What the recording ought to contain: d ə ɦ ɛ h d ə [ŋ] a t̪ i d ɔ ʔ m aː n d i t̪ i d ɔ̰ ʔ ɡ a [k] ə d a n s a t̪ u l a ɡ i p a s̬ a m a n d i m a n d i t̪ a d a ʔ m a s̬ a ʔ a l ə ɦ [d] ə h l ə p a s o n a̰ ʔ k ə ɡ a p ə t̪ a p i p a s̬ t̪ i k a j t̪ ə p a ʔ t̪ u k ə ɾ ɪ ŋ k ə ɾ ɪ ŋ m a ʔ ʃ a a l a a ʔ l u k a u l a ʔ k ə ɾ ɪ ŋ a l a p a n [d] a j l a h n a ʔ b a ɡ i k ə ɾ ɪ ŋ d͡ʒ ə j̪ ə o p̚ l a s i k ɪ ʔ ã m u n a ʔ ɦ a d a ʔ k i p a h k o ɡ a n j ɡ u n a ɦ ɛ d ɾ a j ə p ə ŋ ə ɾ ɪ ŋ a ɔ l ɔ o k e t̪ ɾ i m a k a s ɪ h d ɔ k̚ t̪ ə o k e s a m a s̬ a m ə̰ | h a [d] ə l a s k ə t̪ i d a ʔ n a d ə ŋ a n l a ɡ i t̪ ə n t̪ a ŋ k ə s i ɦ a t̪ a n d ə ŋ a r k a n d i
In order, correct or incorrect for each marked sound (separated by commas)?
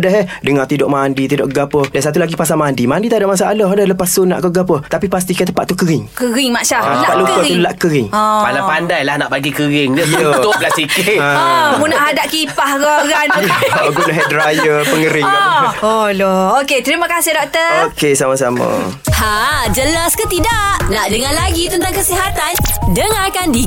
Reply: correct, incorrect, correct, correct, incorrect